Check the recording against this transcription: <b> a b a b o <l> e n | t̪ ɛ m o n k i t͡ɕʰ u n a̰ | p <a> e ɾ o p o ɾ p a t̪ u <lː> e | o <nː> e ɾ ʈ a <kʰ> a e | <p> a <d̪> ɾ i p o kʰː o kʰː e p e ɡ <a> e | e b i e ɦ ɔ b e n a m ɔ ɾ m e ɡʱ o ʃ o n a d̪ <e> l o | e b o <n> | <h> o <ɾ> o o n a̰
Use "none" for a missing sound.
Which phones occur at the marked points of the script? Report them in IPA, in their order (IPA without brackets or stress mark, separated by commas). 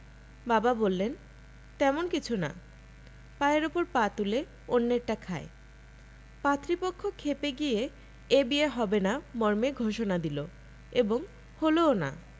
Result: b, lː, a, l, nː, kʰ, p, t̪, i, i, ŋ, h, l